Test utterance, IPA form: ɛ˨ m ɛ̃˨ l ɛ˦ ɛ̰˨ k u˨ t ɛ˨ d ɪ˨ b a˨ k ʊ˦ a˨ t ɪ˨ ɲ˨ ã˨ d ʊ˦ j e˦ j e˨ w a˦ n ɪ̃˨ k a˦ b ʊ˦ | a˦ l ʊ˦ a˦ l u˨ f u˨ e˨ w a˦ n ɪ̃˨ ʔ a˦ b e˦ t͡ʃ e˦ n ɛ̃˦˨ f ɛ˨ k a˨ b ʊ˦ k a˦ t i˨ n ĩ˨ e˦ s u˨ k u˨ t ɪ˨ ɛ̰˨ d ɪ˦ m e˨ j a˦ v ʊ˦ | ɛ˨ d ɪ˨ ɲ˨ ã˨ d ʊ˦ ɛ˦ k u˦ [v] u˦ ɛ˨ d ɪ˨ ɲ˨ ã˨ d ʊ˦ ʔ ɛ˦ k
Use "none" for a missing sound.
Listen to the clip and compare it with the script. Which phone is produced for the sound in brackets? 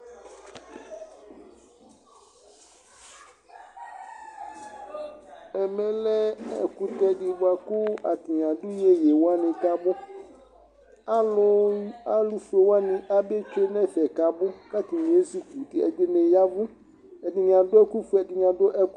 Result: f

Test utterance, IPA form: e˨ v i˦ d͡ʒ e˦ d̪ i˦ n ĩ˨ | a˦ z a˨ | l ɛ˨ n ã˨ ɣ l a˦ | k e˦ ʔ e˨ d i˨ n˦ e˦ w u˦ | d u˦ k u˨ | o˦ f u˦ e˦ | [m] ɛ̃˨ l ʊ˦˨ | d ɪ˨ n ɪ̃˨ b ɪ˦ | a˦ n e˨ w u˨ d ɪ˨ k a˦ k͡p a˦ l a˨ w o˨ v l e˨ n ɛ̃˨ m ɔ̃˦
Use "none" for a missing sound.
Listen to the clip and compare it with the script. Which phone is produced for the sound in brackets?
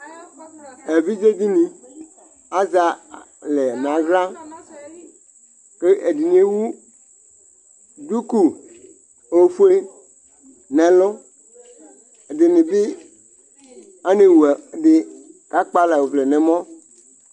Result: n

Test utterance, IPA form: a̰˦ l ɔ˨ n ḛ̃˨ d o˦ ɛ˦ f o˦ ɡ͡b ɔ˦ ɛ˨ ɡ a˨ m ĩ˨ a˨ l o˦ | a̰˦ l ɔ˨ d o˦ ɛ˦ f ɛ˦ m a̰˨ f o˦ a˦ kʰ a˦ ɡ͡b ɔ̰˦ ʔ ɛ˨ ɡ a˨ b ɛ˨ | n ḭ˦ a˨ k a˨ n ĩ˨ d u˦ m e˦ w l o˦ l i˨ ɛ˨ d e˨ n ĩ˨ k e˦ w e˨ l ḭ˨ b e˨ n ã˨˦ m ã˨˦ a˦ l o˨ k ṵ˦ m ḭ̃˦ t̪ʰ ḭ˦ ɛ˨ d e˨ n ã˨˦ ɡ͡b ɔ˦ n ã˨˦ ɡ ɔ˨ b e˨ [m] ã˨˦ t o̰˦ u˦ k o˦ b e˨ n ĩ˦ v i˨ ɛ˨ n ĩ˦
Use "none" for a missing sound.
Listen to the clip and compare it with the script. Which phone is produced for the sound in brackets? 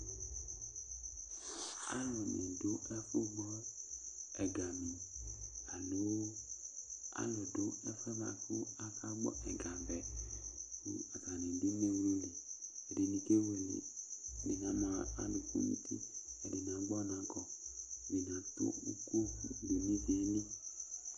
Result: n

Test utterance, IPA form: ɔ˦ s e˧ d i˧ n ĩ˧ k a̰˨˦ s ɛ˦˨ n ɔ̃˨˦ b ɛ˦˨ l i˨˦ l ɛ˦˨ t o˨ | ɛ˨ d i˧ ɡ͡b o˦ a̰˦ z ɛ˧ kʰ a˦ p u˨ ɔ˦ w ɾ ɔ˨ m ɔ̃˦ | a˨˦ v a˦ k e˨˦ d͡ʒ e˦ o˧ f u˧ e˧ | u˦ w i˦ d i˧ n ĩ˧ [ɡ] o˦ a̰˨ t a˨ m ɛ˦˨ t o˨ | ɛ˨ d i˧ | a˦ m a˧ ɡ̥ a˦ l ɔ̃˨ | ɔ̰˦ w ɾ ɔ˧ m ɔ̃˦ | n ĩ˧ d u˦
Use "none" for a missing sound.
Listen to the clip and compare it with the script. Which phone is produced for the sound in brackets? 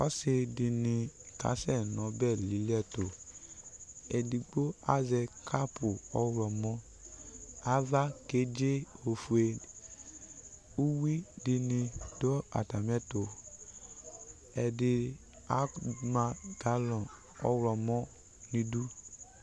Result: d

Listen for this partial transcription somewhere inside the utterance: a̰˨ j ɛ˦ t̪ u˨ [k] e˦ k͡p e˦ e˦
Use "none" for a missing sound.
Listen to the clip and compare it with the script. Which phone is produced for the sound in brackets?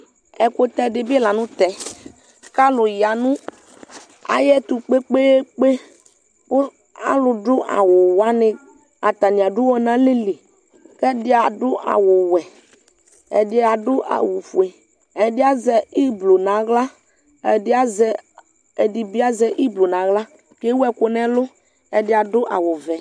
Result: k͡p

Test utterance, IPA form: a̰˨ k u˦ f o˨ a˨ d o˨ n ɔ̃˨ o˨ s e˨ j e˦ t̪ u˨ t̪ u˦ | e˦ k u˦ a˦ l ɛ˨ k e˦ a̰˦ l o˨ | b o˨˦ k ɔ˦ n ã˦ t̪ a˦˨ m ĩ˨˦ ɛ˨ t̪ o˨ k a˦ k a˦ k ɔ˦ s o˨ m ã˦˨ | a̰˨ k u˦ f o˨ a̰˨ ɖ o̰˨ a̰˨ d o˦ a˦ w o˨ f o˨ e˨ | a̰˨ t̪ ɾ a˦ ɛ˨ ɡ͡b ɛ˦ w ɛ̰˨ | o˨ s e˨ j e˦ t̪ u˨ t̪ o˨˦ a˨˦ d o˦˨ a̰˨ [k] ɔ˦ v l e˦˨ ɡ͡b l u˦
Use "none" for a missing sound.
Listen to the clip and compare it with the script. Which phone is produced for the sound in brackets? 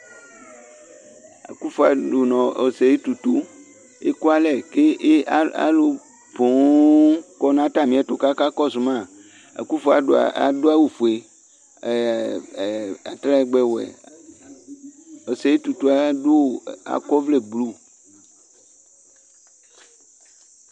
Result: k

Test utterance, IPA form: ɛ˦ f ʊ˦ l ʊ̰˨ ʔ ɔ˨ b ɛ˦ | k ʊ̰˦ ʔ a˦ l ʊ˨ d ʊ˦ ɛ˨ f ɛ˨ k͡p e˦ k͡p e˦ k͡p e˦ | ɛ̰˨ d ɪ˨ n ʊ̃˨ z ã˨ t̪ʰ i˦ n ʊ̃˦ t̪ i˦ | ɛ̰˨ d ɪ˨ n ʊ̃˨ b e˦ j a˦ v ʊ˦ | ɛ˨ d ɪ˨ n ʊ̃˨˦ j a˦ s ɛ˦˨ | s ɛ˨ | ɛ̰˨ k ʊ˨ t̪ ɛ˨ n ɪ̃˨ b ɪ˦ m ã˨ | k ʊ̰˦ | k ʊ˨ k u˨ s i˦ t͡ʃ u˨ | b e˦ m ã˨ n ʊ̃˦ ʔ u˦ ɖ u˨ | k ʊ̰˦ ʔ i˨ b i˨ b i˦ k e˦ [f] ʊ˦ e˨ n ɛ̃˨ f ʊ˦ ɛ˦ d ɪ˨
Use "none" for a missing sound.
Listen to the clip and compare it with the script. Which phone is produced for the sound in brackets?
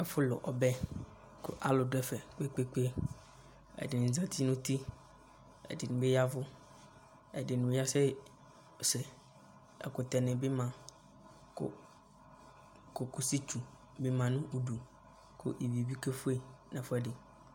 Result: f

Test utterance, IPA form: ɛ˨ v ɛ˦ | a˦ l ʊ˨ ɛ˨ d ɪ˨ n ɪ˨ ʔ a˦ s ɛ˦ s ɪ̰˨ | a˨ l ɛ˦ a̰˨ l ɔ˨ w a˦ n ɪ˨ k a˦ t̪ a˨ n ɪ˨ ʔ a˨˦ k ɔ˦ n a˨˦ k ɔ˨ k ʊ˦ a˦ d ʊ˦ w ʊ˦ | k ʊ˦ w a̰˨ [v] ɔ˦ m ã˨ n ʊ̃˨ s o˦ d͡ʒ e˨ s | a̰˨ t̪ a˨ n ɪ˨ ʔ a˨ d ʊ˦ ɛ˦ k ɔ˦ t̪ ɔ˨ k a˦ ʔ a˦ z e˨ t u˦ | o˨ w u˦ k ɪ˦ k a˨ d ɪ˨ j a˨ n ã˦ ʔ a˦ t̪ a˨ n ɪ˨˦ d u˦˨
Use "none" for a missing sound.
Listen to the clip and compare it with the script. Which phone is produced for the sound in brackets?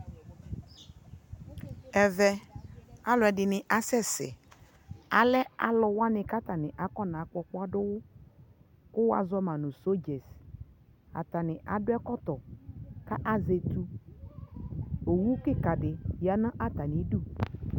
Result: z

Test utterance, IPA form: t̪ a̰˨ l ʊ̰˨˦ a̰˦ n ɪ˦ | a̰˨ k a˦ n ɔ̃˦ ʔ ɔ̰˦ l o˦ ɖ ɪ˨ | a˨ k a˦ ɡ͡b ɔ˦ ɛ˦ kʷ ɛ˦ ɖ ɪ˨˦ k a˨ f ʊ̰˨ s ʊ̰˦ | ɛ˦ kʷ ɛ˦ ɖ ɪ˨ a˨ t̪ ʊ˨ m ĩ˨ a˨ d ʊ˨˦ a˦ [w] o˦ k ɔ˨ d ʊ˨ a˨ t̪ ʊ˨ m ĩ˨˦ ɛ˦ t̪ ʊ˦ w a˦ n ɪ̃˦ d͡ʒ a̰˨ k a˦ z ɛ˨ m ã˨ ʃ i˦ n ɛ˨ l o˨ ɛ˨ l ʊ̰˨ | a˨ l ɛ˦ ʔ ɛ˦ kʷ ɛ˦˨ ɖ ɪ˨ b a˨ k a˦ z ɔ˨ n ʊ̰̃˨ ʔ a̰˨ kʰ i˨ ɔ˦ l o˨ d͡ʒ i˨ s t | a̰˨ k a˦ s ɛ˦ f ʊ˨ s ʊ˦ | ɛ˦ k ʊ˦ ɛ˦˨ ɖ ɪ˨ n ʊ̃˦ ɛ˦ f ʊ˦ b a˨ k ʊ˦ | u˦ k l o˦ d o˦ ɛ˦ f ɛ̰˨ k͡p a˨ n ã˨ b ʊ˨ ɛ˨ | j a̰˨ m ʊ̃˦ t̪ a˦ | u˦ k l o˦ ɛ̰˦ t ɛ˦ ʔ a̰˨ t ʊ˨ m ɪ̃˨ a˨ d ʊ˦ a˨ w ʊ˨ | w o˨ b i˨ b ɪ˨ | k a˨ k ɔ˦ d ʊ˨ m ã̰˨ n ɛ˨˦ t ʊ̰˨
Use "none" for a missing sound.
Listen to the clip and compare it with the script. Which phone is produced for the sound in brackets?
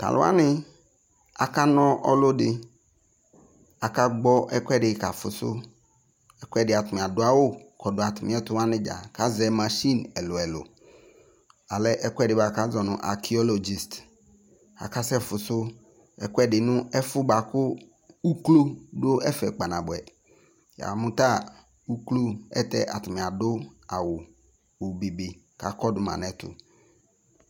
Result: w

